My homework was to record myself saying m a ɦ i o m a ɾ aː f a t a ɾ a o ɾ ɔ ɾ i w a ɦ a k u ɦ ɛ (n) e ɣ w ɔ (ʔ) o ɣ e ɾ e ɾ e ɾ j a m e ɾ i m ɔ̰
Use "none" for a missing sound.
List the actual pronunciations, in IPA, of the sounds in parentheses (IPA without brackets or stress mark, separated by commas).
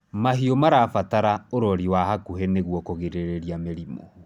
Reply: n, k